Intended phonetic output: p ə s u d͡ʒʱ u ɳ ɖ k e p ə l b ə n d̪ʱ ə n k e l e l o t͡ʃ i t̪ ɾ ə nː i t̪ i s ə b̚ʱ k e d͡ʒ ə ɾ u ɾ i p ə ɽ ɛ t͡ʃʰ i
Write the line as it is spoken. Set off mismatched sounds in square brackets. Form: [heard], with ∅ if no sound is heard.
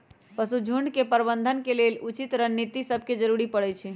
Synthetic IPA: p ə s u d͡ʒʱ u ɳ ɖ k e p ə [ɾ] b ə n d̪ʱ ə n k e l e l [u] t͡ʃ i t̪ ɾ ə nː i t̪ i s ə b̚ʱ k e d͡ʒ ə ɾ u ɾ i p ə ɽ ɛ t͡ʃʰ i